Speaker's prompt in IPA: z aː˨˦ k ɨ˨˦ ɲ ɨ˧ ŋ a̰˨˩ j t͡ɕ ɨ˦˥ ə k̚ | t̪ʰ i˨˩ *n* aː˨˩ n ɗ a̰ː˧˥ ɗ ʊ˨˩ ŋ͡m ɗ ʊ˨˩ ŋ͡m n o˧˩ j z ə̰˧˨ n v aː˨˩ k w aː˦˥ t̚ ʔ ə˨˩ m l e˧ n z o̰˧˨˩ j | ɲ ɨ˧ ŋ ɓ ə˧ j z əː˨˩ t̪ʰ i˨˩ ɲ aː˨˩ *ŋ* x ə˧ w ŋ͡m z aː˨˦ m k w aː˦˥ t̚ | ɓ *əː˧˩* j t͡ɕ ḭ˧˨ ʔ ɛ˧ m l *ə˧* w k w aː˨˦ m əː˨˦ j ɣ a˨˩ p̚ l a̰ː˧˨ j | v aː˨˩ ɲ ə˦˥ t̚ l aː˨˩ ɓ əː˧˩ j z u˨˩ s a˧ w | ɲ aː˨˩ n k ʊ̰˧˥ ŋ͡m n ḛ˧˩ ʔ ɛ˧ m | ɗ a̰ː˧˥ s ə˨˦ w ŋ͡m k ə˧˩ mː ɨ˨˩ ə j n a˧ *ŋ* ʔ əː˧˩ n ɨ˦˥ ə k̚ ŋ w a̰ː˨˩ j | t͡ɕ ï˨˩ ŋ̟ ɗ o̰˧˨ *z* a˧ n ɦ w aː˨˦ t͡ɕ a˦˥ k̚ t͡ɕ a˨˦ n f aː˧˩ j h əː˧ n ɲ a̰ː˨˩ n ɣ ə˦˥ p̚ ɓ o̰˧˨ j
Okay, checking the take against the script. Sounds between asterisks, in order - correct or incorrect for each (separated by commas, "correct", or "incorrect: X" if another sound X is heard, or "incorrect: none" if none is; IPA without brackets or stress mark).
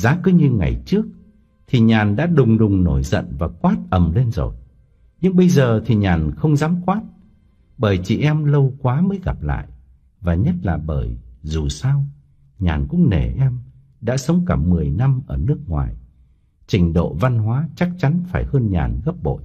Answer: incorrect: ɲ, incorrect: n, correct, correct, incorrect: m, incorrect: v